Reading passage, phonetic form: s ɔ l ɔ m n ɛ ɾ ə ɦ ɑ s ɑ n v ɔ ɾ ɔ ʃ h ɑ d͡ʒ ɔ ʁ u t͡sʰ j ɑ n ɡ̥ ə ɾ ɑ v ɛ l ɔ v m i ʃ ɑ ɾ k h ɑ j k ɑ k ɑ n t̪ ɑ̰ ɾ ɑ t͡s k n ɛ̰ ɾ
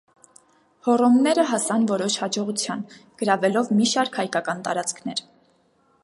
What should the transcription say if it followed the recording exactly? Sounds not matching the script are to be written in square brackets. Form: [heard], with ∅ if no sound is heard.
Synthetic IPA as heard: [h] ɔ [r] ɔ m n ɛ ɾ ə ɦ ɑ s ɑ n v ɔ ɾ ɔ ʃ h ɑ d͡ʒ ɔ ʁ u t͡sʰ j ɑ n ɡ̥ ə ɾ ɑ v ɛ l ɔ v m i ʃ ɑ ɾ k h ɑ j k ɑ k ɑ n t̪ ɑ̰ ɾ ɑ t͡s [kʰ] n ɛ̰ ɾ